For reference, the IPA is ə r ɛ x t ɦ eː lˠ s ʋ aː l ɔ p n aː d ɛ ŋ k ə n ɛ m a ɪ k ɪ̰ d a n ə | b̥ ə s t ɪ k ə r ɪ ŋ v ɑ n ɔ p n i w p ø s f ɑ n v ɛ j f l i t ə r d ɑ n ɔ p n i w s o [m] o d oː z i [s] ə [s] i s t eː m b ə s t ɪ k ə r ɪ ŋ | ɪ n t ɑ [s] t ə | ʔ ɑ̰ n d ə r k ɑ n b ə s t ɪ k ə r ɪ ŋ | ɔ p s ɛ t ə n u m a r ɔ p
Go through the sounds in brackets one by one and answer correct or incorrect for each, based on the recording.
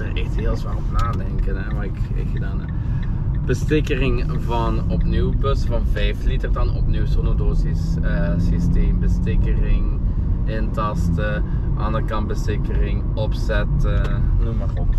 incorrect: n, correct, correct, correct

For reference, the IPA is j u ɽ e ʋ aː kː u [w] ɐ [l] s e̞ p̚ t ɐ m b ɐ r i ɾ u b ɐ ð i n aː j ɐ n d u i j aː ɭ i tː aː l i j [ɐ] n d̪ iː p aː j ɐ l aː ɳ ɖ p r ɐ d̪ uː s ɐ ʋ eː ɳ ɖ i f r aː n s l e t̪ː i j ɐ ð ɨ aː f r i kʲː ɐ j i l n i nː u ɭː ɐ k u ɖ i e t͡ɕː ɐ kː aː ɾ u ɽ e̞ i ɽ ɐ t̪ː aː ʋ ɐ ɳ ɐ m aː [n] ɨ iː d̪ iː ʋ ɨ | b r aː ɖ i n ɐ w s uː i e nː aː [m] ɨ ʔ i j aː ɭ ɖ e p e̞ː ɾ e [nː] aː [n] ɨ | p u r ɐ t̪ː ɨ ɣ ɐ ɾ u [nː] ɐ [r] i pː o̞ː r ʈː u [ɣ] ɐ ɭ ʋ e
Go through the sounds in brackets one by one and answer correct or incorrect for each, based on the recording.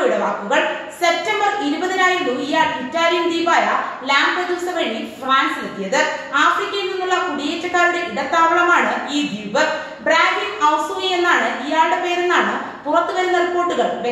incorrect: ɣ, incorrect: ɭ, correct, incorrect: ɳ, incorrect: ɳ, correct, incorrect: ɳ, correct, correct, correct

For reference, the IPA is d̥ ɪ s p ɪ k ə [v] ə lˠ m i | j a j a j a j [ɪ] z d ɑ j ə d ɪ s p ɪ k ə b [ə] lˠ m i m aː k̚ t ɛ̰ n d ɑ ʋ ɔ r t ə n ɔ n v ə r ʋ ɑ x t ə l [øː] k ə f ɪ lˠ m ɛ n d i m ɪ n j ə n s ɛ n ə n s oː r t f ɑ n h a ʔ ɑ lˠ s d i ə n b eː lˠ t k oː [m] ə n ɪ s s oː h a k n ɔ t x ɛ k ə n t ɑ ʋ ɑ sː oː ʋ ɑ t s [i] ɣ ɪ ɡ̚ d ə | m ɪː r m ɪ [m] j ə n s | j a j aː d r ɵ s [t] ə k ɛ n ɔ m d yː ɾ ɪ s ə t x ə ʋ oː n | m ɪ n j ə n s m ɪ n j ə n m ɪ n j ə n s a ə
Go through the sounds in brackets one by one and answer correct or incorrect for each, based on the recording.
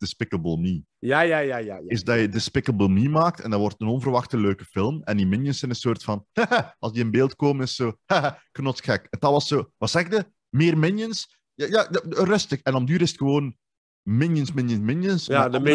incorrect: b, correct, correct, correct, correct, incorrect: ɛ, incorrect: n, correct

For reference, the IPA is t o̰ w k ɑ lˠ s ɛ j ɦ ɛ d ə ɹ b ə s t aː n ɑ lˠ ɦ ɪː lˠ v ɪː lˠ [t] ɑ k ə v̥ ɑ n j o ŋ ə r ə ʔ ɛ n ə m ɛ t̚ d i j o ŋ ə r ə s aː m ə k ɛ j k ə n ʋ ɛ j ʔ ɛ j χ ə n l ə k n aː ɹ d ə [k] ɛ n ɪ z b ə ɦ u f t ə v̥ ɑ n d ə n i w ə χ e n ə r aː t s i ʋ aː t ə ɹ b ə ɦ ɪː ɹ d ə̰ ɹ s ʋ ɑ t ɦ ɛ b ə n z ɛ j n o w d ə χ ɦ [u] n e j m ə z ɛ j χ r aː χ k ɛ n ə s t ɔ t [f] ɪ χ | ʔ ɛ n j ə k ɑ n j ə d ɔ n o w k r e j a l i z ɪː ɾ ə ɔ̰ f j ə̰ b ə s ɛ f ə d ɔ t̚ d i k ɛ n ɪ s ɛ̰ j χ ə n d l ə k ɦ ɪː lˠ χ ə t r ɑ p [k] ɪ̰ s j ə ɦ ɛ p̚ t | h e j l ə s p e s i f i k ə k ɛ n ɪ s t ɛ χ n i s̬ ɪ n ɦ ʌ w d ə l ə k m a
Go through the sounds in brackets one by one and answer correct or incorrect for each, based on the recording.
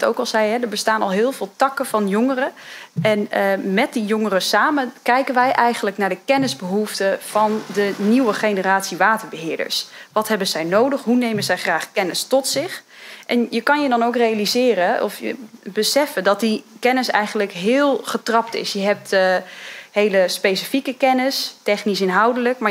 correct, correct, correct, incorrect: s, incorrect: t

